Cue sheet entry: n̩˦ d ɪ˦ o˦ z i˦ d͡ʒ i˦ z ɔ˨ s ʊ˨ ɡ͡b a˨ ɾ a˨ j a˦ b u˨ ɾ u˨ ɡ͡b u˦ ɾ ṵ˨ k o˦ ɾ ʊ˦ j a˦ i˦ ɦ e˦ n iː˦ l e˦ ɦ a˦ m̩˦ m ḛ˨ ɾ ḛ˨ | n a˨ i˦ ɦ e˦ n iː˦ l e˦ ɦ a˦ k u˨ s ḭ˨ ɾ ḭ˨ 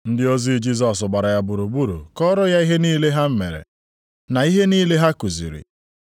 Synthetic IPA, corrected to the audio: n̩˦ d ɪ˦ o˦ z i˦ d͡ʒ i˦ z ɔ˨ s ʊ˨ ɡ͡b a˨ ɾ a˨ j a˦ b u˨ ɾ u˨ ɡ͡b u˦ ɾ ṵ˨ k ɔ˦ ɾ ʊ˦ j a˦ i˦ ɦ e˦ n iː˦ l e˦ ɦ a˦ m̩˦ m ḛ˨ ɾ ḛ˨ | n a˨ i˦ ɦ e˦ n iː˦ l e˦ ɦ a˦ k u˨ z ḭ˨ ɾ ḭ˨